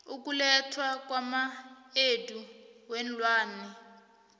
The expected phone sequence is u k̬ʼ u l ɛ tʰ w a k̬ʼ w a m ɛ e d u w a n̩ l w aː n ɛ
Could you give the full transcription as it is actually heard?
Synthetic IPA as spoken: u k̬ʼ u l ɛ tʰ w a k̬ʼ w a m a e d u w ɛ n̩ l w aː n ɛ